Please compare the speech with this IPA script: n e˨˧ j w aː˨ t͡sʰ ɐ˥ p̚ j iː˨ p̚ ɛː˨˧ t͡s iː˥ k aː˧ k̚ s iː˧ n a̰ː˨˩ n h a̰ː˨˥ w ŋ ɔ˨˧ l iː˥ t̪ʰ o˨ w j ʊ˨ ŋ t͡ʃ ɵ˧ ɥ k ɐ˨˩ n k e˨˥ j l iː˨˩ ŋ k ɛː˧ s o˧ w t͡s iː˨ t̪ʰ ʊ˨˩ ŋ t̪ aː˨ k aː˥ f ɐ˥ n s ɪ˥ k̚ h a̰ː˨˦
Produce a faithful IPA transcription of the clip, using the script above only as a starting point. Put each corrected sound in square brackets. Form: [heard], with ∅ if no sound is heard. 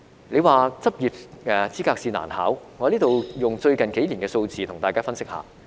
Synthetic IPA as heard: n e˨˧ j w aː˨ [t͡s] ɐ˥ p̚ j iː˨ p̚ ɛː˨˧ t͡s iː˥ k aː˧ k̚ s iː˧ n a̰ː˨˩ n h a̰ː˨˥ w ŋ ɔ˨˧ l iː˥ [t̪] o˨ w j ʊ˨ ŋ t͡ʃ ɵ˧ ɥ k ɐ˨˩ n k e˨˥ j l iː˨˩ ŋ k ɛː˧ s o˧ w t͡s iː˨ t̪ʰ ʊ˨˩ ŋ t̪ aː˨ k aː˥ f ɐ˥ n s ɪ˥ k̚ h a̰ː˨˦